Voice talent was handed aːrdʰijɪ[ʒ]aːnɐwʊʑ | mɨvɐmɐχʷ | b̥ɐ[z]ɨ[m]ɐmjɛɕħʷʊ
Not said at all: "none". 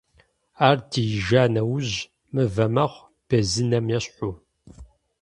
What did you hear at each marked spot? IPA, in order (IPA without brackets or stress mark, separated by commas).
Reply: ʒ, z, n